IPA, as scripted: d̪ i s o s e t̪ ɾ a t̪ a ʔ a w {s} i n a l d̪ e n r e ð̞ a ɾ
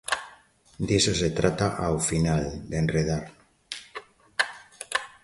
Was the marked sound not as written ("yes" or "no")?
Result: yes